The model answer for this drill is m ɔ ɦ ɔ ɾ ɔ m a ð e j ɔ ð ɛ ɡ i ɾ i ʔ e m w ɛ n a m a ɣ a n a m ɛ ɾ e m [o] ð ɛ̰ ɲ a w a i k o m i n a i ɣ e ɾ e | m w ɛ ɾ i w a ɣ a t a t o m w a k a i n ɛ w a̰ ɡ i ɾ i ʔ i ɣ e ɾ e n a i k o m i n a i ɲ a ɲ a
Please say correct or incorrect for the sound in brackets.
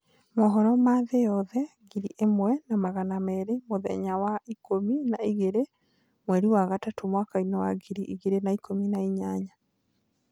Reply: correct